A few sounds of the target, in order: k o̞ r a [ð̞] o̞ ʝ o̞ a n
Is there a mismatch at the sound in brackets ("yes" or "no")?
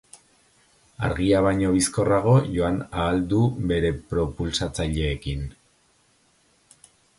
yes